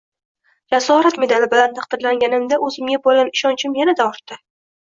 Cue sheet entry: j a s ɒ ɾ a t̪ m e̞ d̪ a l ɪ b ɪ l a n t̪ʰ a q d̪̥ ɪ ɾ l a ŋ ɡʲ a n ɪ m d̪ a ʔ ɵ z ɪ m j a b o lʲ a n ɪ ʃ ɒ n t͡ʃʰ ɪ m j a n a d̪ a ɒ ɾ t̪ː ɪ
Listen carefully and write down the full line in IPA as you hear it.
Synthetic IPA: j a s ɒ ɾ a t̪ m e̞ d̪ a l ɪ b ɪ l a n t̪ʰ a q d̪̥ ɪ ɾ l a ŋ ɡʲ a n ɪ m d̪ a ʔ ɵ z ɪ m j a b o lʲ a n ɪ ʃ ɒ n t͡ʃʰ ɪ m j a n a d̪ a ɒ ɾ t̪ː ɪ